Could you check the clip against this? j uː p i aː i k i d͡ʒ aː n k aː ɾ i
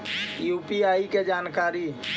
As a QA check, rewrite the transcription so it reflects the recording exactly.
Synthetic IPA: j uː p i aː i k e d͡ʒ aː n k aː ɾ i